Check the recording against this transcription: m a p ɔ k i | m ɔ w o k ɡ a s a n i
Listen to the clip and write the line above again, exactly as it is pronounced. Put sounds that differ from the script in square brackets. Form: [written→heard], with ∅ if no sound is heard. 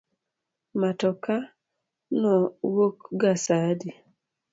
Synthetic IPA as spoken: m a [p→t] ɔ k [i→a] | [m→n] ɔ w o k ɡ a s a [n→d] i